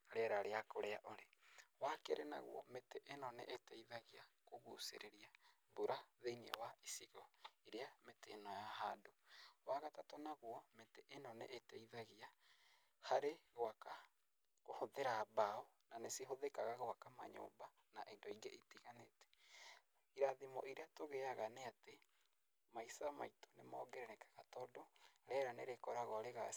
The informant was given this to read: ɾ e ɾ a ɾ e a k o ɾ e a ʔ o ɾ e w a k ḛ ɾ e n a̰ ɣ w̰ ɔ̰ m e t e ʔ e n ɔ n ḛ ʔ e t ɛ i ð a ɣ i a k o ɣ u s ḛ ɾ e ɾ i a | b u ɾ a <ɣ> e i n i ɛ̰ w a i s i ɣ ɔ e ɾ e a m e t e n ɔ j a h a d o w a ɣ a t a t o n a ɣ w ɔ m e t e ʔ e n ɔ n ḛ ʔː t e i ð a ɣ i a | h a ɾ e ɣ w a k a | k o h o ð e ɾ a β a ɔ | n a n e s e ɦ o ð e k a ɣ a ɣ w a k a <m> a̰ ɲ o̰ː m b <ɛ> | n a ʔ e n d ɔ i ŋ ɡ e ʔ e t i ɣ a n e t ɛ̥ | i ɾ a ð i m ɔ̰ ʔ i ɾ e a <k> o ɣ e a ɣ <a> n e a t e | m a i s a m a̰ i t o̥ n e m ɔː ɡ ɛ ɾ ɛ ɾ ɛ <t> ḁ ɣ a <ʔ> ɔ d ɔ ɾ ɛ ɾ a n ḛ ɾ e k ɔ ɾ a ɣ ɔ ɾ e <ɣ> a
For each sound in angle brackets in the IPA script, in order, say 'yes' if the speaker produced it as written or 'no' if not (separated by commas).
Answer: no, yes, no, no, yes, no, no, yes